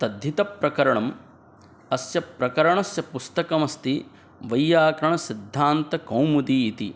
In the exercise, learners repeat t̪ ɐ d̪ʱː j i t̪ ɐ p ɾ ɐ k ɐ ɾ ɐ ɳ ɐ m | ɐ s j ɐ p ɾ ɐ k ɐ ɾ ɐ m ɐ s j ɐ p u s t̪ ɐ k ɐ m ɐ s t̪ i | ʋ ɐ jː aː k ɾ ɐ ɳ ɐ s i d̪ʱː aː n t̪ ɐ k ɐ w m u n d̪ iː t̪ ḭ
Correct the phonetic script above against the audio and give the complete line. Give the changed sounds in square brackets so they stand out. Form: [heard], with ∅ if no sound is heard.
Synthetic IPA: t̪ ɐ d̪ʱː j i t̪ ɐ p ɾ ɐ k ɐ ɾ ɐ ɳ ɐ m | ɐ s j ɐ p ɾ ɐ k ɐ ɾ ɐ [ɳ] ɐ s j ɐ p u s t̪ ɐ k ɐ m ɐ s t̪ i | ʋ ɐ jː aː k ɾ ɐ ɳ ɐ s i d̪ʱː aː n t̪ ɐ k ɐ w m u [∅] d̪ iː t̪ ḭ

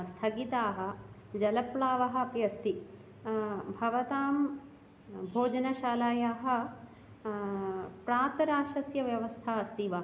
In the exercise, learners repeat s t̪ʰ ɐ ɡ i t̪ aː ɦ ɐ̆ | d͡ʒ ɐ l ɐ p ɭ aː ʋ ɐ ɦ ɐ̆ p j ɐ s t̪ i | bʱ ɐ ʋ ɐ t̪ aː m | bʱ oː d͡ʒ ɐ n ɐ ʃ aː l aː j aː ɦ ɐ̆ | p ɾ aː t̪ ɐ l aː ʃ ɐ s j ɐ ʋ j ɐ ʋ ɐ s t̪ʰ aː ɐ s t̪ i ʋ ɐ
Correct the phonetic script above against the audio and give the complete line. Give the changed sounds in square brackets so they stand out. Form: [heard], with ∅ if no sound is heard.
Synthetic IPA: s t̪ʰ ɐ ɡ i t̪ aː ɦ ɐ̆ | d͡ʒ ɐ l ɐ p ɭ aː ʋ ɐ ɦ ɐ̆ p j ɐ s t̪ i | bʱ ɐ ʋ ɐ t̪ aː m | bʱ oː d͡ʒ ɐ n ɐ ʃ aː l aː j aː ɦ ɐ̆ | p ɾ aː t̪ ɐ [ɾ] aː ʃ ɐ s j ɐ ʋ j ɐ ʋ ɐ s t̪ʰ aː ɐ s t̪ i ʋ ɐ

